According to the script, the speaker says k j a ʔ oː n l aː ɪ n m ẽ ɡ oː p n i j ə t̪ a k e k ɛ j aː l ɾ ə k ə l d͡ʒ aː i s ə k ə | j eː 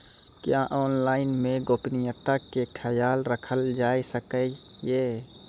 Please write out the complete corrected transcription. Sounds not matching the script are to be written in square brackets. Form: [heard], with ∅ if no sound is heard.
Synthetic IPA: k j a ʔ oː n l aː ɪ n m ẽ ɡ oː p n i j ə t̪ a k e [kʰ] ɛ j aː l ɾ ə [kʰ] ə l d͡ʒ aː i s ə k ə | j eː